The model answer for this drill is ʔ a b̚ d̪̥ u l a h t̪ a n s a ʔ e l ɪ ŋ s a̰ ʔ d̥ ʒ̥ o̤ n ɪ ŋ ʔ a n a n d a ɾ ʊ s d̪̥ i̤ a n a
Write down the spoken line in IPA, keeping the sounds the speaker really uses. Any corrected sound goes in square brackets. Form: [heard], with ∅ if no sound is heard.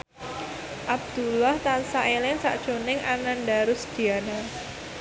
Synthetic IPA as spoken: ʔ a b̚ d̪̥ u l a h t̪ a n s a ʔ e l ɪ ŋ s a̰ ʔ d̥ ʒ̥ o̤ n ɪ ŋ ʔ a n a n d a ɾ ʊ s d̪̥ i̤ a n a